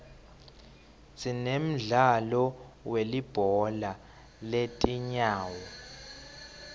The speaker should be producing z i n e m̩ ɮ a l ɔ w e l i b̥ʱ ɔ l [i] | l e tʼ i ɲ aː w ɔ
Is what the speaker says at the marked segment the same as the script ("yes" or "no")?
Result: no